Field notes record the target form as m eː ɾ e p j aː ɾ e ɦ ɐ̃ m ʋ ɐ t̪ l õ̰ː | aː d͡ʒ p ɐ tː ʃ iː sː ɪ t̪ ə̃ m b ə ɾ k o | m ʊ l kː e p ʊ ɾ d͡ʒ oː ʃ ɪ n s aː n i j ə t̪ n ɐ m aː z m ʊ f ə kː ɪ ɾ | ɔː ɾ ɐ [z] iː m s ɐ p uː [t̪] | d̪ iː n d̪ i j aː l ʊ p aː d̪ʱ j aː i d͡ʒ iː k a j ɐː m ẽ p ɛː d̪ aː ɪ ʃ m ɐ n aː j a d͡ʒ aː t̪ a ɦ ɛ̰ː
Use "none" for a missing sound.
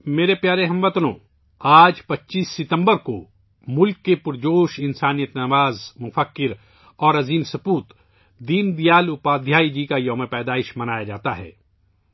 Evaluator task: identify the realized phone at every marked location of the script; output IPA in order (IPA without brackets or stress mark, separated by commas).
z, t̪